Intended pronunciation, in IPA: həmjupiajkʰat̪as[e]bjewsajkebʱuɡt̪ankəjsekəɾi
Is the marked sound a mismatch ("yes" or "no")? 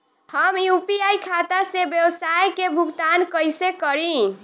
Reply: no